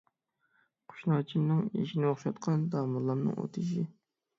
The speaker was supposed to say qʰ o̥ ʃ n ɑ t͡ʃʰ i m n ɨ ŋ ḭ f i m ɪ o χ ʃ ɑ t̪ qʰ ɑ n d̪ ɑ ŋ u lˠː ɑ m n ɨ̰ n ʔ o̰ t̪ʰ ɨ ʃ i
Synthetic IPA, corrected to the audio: qʰ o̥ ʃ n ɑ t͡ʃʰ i m n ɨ ŋ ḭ ʃ i n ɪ o χ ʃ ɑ t̪ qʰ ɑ n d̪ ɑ m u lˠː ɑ m n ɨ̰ ŋ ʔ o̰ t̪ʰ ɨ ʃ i